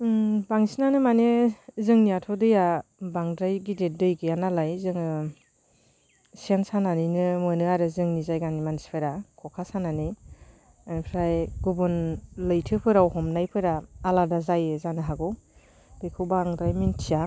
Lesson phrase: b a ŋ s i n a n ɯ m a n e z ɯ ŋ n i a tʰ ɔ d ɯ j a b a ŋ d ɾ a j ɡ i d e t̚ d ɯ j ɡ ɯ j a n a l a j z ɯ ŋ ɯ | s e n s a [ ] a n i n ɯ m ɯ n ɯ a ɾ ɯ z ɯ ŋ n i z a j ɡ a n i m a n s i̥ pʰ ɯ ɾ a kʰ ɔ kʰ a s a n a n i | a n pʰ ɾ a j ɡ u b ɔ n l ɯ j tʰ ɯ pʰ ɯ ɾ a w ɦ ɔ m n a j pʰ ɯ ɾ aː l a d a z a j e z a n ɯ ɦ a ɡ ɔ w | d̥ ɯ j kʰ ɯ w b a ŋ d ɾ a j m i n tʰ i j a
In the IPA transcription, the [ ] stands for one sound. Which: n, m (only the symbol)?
n